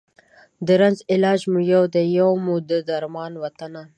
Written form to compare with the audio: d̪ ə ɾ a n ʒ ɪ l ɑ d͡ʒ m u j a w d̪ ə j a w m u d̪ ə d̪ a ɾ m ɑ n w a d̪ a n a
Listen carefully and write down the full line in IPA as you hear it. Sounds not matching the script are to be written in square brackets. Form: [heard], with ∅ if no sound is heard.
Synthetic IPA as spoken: d̪ ə ɾ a n [z] ɪ l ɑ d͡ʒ m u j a w d̪ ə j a w m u d̪ ə d̪ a ɾ m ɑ n w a [t̪] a n a